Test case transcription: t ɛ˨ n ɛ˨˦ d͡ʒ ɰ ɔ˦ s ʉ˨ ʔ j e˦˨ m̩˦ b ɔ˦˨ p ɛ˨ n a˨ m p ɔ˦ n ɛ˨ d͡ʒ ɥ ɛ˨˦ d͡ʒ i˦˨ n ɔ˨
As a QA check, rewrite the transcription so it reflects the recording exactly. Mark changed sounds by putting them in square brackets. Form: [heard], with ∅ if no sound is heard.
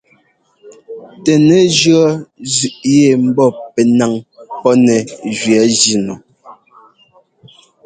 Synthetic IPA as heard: t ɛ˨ n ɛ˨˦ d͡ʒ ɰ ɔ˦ [z] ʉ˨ ʔ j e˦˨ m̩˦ b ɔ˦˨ p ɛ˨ n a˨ [ŋ] p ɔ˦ n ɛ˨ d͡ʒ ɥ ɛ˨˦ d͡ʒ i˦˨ n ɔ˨